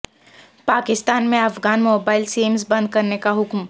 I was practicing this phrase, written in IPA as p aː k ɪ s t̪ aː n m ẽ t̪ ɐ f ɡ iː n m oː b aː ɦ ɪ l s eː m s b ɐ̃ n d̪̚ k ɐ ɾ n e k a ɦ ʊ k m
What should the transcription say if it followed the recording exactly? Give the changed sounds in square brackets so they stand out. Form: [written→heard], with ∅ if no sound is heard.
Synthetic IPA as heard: p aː k ɪ s t̪ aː n m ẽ [t̪→∅] ɐ f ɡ [iː→aː] n m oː b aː [ɦ→∅] ɪ l s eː m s b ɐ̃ n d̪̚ k ɐ ɾ n e k a ɦ ʊ k m